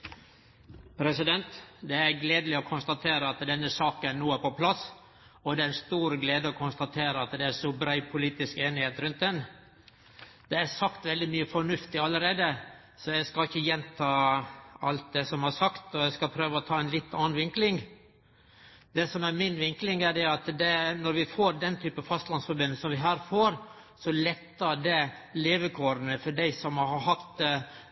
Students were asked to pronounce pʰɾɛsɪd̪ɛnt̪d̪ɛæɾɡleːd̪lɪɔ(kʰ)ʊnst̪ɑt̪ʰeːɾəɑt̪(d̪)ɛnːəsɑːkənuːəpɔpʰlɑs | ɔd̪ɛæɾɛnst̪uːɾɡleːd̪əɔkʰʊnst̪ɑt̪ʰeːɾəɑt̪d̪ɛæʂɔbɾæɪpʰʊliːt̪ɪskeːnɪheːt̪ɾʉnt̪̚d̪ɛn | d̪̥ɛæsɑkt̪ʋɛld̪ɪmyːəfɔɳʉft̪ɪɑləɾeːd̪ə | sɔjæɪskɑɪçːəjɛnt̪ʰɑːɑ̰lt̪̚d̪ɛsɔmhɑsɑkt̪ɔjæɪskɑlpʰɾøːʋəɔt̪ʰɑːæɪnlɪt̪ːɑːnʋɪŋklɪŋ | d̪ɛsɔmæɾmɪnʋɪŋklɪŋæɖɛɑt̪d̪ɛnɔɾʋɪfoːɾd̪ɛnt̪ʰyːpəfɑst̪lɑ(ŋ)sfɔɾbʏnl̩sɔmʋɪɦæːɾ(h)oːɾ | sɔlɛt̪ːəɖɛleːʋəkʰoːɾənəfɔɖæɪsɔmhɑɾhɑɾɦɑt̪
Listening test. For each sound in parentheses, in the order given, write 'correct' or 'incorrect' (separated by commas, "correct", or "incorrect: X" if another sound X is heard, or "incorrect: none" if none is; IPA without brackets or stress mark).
correct, correct, incorrect: n, incorrect: f